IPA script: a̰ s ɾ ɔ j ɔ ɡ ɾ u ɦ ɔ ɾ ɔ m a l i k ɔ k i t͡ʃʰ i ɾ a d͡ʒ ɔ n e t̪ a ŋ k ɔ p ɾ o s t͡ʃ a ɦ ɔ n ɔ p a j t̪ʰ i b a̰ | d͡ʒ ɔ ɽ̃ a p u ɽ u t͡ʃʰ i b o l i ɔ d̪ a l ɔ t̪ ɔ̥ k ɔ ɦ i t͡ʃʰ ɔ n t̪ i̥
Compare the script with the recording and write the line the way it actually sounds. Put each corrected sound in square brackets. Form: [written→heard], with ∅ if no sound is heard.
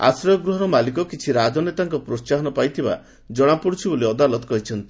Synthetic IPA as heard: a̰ s ɾ ɔ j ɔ ɡ ɾ u ɦ ɔ ɾ ɔ m a l i k ɔ k i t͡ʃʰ i ɾ a d͡ʒ ɔ n e t̪ a ŋ k ɔ p ɾ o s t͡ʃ a ɦ ɔ n ɔ p a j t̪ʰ i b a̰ | d͡ʒ ɔ ɽ̃ a p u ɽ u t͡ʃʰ i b o l i ɔ d̪ a l ɔ t̪ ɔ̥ k ɔ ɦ i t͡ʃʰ ɔ n t̪ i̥